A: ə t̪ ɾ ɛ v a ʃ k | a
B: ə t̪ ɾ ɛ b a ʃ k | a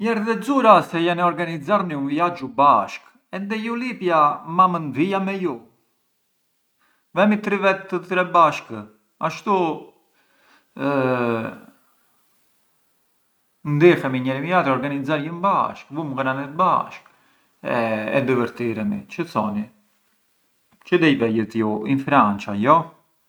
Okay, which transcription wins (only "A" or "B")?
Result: B